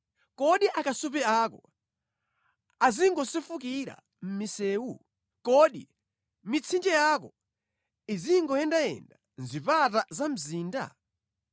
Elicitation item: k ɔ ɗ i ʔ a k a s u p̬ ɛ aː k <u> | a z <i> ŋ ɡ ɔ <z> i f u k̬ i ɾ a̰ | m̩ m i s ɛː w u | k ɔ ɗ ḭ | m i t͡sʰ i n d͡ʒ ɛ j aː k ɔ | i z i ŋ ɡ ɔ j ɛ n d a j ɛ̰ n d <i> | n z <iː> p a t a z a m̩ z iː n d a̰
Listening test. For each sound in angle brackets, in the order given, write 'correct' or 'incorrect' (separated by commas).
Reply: incorrect, correct, incorrect, incorrect, incorrect